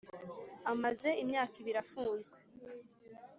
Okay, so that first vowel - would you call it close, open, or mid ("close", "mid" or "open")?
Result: open